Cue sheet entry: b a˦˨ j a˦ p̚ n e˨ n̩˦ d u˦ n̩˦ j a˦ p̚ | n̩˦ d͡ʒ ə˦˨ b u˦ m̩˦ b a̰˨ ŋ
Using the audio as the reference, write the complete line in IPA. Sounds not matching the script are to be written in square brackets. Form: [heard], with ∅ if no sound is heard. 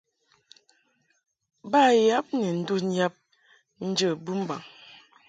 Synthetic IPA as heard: b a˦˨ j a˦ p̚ n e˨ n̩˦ d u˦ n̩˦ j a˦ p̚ | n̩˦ d͡ʒ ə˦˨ b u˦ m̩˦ b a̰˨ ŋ